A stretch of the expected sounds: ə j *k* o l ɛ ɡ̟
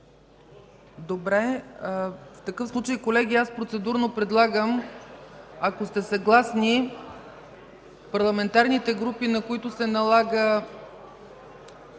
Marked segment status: correct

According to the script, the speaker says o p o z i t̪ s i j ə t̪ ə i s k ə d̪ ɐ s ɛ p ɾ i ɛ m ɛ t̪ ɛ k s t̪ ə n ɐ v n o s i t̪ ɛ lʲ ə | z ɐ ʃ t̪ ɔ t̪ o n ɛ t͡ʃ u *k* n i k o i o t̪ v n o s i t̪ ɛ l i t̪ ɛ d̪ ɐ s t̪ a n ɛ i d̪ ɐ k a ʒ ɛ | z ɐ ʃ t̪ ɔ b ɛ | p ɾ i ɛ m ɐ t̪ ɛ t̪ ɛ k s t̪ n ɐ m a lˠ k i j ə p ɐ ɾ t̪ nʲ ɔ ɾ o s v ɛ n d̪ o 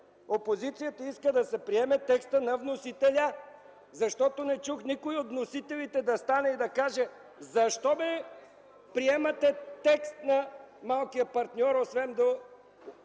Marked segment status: incorrect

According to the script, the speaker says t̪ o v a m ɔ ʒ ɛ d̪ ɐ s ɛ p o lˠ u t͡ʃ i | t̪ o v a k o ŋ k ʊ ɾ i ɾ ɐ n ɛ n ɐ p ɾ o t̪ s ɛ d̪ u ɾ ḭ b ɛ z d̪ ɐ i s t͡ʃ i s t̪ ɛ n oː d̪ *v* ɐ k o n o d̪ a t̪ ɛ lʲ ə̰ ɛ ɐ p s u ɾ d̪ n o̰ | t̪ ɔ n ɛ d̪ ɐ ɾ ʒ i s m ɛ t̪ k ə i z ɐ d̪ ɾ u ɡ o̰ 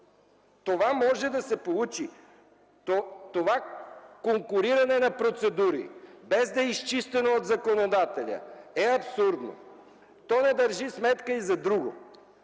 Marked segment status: incorrect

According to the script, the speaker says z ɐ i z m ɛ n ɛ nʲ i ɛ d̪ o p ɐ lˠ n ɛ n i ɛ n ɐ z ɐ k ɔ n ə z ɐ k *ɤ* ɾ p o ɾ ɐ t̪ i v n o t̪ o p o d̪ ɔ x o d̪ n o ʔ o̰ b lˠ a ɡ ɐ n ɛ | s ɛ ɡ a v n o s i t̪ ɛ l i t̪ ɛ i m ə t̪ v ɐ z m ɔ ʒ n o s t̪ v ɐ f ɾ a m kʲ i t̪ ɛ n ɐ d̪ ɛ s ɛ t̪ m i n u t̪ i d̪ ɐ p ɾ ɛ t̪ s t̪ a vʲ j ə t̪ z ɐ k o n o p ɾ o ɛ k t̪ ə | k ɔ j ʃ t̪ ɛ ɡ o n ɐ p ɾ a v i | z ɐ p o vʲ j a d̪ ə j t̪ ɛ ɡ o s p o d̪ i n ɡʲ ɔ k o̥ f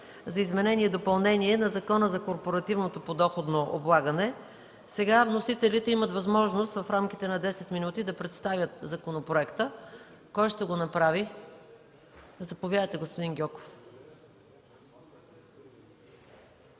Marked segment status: incorrect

